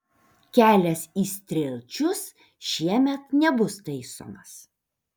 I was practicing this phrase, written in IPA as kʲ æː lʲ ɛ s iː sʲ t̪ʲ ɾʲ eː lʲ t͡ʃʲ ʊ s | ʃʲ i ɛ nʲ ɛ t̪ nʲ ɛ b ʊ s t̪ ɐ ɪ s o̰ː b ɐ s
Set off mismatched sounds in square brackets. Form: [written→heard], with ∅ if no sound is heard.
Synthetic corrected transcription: kʲ æː lʲ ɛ s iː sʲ t̪ʲ ɾʲ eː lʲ t͡ʃʲ ʊ s | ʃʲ i ɛ [nʲ→mʲ] ɛ t̪ nʲ ɛ b ʊ s t̪ ɐ ɪ s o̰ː [b→m] ɐ s